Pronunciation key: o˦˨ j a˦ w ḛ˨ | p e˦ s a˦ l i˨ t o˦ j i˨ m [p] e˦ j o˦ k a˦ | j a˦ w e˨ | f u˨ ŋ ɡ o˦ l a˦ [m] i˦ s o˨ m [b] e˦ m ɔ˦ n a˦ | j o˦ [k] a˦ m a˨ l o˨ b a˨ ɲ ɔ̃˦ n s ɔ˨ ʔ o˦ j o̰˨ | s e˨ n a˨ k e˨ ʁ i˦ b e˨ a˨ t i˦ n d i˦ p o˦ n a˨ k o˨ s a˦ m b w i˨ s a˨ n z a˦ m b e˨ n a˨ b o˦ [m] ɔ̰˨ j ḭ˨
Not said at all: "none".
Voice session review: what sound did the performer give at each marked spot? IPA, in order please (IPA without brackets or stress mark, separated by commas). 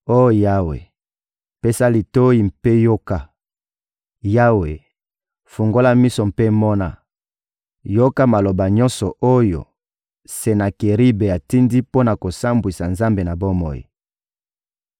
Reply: p, m, p, k, m